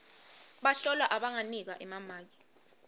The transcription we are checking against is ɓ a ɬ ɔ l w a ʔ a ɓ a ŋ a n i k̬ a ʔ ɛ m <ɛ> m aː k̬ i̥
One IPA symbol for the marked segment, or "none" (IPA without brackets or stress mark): a